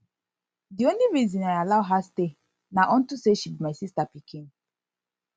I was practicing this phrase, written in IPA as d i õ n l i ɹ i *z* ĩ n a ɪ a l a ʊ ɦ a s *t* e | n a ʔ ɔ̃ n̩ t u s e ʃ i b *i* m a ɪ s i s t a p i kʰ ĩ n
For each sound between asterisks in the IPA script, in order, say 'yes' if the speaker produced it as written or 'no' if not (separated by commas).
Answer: yes, yes, yes